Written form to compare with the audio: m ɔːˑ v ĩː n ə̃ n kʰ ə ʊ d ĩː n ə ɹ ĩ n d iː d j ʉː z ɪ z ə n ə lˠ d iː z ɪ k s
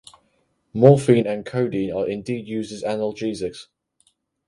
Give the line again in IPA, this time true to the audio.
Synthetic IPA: m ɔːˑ f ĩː n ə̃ n kʰ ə ʊ d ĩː n ə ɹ ɪ̃ n d iː d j ʉː z ɪ z a n ə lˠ d͡ʒ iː z ɪ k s

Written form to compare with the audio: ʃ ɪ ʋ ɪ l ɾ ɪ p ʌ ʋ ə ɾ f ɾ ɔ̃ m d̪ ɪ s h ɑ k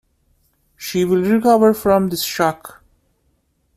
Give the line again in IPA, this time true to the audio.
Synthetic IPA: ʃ i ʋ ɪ l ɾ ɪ k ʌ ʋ ə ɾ f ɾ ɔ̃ m d̪ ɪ s ʃ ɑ k

